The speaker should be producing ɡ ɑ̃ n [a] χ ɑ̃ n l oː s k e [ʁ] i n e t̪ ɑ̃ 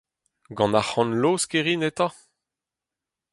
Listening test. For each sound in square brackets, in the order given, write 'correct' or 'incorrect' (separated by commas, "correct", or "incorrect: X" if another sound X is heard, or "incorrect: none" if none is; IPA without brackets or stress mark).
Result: correct, correct